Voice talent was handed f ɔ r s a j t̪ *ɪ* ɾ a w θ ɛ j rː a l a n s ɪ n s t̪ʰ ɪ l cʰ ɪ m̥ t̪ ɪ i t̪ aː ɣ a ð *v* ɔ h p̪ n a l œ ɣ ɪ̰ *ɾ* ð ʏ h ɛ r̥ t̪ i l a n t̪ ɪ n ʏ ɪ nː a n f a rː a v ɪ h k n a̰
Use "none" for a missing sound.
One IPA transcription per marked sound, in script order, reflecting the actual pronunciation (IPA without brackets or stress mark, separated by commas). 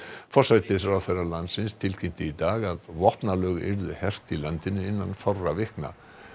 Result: ɪ, v, ɾ